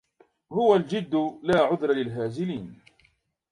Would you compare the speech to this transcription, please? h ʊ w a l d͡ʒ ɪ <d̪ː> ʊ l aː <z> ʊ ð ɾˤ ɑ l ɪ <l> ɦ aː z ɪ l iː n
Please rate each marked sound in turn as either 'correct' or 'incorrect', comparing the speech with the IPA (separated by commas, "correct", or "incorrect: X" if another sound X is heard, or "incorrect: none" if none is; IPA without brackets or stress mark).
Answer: correct, incorrect: ʕ, correct